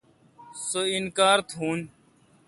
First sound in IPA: s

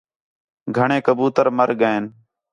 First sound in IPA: ɡʱ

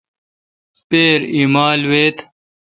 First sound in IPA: p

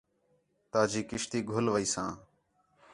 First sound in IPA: t̪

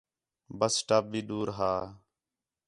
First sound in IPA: b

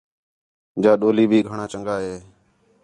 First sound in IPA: d͡ʒ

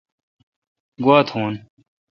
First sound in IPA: ɡ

